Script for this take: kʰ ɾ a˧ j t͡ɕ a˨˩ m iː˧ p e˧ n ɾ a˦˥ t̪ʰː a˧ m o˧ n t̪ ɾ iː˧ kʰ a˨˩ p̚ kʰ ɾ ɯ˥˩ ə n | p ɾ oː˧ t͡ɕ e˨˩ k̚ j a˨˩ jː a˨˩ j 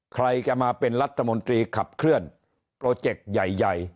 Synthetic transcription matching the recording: kʰ ɾ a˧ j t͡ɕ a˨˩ m aː˧ p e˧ n ɾ a˦˥ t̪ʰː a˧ m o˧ n t̪ ɾ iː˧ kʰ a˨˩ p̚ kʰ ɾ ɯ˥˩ ə n | p ɾ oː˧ t͡ɕ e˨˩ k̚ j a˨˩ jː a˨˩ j